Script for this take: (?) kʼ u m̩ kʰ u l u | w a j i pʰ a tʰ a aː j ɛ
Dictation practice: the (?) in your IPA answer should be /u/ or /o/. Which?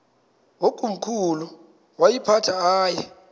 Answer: o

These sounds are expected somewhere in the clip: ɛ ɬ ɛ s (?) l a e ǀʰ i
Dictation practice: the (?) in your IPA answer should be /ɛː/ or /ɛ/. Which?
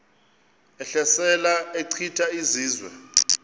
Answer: ɛ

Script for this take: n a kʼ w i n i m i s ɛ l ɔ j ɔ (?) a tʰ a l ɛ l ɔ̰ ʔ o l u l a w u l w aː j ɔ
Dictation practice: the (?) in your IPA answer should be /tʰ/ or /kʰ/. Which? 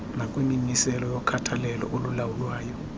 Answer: kʰ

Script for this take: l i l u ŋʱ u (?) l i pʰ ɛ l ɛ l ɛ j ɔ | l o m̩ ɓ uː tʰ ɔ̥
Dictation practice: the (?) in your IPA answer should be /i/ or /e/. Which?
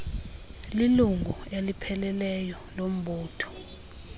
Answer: e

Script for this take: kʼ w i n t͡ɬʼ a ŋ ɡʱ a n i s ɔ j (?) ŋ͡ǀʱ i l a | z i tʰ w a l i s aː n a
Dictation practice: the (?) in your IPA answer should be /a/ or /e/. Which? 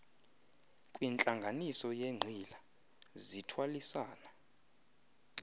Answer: e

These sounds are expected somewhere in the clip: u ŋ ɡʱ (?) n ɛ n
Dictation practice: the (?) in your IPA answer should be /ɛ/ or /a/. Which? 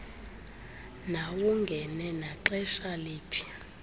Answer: ɛ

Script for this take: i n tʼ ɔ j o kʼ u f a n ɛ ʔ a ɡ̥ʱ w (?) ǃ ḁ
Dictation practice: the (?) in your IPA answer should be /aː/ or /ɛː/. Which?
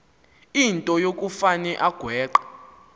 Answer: ɛː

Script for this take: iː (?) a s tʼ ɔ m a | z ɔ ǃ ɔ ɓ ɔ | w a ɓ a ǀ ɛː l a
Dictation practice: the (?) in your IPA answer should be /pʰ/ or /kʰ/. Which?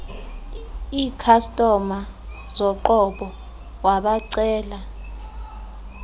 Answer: kʰ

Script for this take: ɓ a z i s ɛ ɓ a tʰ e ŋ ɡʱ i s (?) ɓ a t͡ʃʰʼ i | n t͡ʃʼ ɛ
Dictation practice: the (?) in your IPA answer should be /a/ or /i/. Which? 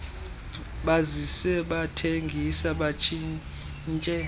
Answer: a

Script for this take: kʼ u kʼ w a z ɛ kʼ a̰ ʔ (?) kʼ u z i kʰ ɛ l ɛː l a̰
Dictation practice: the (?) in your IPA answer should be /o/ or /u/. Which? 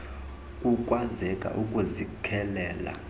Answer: u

